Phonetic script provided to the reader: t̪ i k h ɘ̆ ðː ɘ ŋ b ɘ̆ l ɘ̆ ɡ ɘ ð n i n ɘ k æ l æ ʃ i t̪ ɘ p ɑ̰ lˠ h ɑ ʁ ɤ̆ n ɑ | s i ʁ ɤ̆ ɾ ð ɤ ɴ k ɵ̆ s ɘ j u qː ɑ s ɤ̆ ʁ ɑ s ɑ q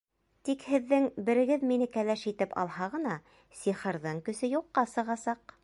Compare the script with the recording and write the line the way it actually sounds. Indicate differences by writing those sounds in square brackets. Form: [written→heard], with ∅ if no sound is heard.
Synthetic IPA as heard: t̪ i k h ɘ̆ ðː ɘ ŋ b ɘ̆ [l→ɾ] ɘ̆ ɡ ɘ ð [n→m] i n ɘ k æ l æ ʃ i t̪ ɘ p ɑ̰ lˠ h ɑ ʁ ɤ̆ n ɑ | s i [ʁ→χ] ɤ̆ ɾ ð ɤ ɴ k ɵ̆ s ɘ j u qː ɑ s ɤ̆ ʁ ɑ s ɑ q